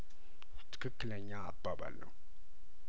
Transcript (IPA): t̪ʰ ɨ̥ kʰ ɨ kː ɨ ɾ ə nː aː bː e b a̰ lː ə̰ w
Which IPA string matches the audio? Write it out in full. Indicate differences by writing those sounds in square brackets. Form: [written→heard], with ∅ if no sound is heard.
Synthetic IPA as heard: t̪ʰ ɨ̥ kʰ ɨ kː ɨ [ɾ→l] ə [nː→ɲː] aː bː [e→a] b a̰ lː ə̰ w